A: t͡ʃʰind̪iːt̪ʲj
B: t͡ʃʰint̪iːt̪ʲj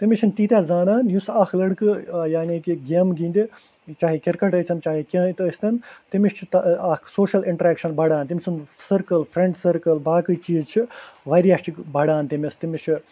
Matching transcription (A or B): B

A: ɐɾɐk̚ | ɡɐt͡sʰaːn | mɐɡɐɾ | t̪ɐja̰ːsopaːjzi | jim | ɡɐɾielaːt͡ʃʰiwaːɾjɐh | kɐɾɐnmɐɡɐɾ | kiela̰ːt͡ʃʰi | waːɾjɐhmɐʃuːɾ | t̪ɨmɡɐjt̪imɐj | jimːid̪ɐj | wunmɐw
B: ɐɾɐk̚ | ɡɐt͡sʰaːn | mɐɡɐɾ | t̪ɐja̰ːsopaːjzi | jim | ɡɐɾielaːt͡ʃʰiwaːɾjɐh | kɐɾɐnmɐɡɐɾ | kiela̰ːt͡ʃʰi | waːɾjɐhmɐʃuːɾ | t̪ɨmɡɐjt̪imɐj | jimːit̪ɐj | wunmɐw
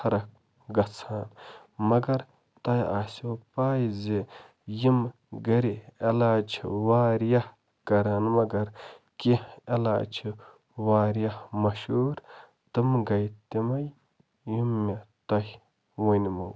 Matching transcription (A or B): B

